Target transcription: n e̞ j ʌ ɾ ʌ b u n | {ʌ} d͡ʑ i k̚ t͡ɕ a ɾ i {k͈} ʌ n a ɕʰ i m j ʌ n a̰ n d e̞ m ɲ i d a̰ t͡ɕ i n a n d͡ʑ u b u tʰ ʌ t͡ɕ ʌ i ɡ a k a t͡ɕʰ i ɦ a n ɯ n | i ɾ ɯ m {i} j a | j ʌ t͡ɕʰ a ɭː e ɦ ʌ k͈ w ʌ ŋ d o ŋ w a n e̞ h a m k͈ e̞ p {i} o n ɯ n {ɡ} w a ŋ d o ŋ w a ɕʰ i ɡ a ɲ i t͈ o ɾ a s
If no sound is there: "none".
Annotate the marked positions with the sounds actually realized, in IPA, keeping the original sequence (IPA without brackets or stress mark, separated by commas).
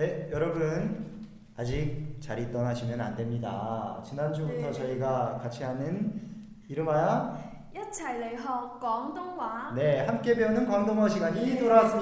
a, t͈, a, e, k